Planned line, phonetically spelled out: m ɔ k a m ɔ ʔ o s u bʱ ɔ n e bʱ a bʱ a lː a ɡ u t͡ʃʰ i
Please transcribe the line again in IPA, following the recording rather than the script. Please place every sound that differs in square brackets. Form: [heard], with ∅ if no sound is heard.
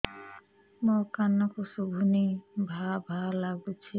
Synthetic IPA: m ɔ k a [n] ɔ [k] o s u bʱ [u] n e bʱ a bʱ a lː a ɡ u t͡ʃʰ i